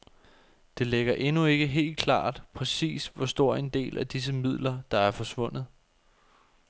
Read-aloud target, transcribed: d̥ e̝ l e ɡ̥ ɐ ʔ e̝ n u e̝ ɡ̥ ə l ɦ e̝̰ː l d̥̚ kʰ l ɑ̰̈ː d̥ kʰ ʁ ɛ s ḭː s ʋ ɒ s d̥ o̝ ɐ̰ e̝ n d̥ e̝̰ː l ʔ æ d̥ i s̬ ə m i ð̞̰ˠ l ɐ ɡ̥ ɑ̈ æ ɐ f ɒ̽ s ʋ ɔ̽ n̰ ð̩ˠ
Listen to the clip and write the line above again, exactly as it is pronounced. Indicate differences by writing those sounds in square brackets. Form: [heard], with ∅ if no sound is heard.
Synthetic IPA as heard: d̥ e̝ l e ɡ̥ ɐ ʔ e̝ n u e̝ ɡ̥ ə [∅] ɦ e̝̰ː l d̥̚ kʰ l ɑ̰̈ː d̥ [pʰ] ʁ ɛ s ḭː s ʋ ɒ s d̥ o̝ ɐ̰ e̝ n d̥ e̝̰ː l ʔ æ d̥ i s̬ ə m i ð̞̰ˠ l ɐ [d̥] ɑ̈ æ ɐ f ɒ̽ s ʋ ɔ̽ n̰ ð̩ˠ

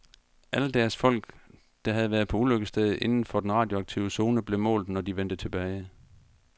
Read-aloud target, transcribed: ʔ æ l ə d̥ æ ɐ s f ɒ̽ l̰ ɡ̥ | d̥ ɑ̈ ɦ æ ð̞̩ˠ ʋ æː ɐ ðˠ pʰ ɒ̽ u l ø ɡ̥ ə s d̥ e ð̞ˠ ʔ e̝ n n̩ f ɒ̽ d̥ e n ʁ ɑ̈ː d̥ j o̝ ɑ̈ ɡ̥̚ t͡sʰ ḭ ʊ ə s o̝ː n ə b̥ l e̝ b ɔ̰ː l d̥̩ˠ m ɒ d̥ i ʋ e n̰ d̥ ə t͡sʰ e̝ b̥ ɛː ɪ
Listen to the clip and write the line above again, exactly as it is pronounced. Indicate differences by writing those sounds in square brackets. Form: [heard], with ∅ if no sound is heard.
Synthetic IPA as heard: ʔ æ l ə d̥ æ ɐ s f ɒ̽ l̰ ɡ̥ | d̥ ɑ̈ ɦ æ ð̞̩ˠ ʋ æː ɐ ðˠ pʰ ɒ̽ u l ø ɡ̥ ə s d̥ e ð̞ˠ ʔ e̝ n n̩ f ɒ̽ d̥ e n ʁ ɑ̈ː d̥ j o̝ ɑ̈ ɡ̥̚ t͡sʰ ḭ ʊ ə s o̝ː n ə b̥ l e̝ [m] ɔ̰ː l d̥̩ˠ [n] ɒ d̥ i ʋ e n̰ d̥ ə t͡sʰ e̝ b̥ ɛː ɪ

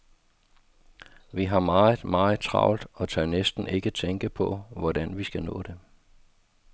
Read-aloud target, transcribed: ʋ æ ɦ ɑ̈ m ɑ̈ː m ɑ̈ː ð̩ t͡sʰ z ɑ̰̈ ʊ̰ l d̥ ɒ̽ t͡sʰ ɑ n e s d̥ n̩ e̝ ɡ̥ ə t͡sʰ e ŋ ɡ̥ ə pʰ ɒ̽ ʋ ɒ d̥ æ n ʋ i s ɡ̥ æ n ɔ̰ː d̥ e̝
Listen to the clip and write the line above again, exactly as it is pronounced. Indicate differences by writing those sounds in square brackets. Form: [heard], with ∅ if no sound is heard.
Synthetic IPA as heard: ʋ [i] ɦ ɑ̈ m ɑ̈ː m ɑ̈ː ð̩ t͡sʰ [ʁ] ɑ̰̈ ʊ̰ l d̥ ɒ̽ t͡sʰ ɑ n e s d̥ n̩ e̝ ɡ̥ ə t͡sʰ e ŋ ɡ̥ ə pʰ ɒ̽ ʋ ɒ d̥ æ n ʋ i s ɡ̥ æ n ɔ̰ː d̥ e̝

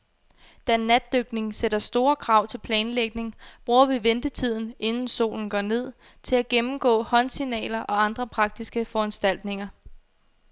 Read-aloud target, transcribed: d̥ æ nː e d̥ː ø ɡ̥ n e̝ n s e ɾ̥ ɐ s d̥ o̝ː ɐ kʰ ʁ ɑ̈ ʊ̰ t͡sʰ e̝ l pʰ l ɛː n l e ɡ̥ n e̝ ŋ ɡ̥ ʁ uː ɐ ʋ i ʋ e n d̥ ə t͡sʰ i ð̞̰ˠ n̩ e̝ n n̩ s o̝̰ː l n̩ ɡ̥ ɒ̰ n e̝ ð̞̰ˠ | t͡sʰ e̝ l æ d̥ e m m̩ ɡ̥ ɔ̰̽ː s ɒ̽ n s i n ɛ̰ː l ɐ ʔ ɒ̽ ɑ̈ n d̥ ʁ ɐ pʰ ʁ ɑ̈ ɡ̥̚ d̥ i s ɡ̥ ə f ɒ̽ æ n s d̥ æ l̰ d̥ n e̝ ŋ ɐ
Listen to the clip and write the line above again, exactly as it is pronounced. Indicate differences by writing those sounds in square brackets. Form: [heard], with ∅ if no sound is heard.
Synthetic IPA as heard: d̥ æ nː [æ] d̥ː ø ɡ̥ n e̝ [ŋ] s e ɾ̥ ɐ s d̥ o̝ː ɐ kʰ ʁ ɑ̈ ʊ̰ t͡sʰ e̝ l pʰ l ɛː n l e ɡ̥ n e̝ ŋ [b̥] ʁ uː ɐ ʋ i ʋ e n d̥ ə t͡sʰ i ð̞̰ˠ n̩ e̝ n n̩ s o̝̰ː l n̩ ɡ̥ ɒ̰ n e̝ ð̞̰ˠ | t͡sʰ e̝ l æ [ɡ̥] e m m̩ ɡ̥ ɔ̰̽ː [h] ɒ̽ n s i n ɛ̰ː l ɐ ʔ ɒ̽ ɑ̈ n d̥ ʁ ɐ pʰ ʁ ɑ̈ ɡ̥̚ d̥ i s ɡ̥ ə f ɒ̽ æ n s d̥ æ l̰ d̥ n e̝ ŋ ɐ

